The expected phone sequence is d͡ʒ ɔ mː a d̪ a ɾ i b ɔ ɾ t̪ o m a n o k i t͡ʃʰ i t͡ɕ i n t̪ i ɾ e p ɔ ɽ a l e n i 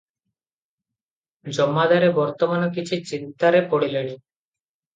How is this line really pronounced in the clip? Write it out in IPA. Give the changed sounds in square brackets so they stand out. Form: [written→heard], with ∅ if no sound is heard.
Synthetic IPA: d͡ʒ ɔ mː a d̪ a ɾ [i→e] b ɔ ɾ t̪ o m a n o k i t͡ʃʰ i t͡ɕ i n t̪ [i→a] ɾ e p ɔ ɽ [a→i] l e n i